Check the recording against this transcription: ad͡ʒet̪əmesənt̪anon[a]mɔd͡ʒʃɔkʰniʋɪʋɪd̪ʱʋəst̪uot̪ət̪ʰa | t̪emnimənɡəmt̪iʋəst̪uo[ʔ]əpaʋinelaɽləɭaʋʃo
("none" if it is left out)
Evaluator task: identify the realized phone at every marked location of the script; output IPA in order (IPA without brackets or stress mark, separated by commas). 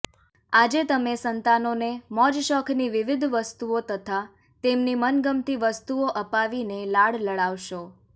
e, ʔ